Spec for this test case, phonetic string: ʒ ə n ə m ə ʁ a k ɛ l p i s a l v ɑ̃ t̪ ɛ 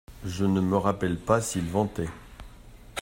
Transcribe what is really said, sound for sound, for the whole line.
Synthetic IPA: ʒ ə n ə m ə ʁ a p ɛ l p a s i l v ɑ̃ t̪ ɛ